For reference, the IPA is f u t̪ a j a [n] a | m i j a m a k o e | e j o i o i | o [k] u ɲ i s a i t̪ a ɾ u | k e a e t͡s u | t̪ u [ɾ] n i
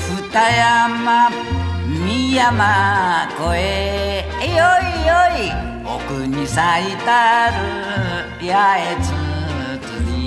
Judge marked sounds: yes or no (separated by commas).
no, yes, no